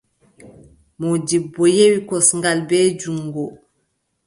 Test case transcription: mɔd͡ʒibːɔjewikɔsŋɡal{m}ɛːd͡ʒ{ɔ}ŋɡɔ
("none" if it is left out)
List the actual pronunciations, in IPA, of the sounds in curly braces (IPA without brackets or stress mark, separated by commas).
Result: b, u